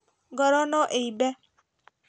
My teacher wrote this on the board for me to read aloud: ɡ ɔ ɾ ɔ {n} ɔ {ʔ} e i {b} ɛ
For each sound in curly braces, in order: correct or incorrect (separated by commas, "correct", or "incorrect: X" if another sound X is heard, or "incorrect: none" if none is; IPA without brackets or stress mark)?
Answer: correct, correct, correct